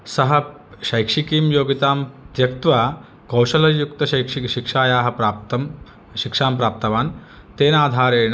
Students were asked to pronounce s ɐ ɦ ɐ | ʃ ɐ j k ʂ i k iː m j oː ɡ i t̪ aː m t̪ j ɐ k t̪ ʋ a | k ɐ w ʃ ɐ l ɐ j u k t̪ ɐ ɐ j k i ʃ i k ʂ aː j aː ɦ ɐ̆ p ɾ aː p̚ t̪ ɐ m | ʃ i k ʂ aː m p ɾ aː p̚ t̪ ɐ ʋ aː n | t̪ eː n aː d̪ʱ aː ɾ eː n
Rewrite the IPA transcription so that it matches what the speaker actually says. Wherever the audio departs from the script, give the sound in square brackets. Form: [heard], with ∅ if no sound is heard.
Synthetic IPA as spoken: s ɐ ɦ ɐ | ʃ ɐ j k ʂ i k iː m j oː ɡ i t̪ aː m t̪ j ɐ k t̪ ʋ a | k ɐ w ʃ ɐ l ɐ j u k t̪ ɐ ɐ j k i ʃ i k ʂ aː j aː ɦ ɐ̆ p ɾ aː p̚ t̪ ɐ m | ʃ i k ʂ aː m p ɾ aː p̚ t̪ ɐ ʋ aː n | t̪ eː n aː d̪ʱ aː ɾ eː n